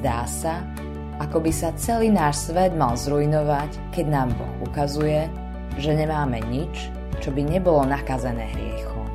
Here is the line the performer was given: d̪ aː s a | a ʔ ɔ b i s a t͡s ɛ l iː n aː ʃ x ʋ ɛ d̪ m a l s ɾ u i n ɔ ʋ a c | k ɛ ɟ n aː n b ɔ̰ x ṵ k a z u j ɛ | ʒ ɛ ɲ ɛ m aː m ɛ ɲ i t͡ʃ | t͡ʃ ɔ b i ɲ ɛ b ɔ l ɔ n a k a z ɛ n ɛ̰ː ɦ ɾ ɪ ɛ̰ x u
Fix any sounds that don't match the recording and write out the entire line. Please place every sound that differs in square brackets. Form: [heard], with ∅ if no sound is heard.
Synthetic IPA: d̪ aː s a | a [k] ɔ b i s a t͡s ɛ l iː n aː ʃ [s] ʋ ɛ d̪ m a l [z] ɾ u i n ɔ ʋ a c | k ɛ ɟ n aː [m] b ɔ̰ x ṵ k a z u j ɛ | ʒ ɛ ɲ ɛ m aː m ɛ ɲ i t͡ʃ | t͡ʃ ɔ b i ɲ ɛ b ɔ l ɔ n a k a z ɛ n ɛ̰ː ɦ ɾ ɪ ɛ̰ x u